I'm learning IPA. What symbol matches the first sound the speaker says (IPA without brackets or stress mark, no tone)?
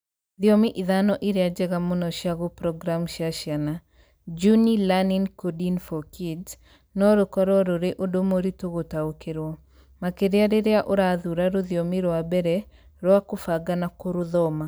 ð